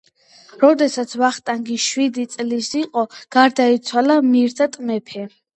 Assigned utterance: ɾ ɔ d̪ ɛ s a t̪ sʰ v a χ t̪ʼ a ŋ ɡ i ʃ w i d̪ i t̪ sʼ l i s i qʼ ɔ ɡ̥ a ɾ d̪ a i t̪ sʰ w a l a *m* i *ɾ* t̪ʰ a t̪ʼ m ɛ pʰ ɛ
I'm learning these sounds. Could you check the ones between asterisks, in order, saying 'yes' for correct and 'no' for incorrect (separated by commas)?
yes, yes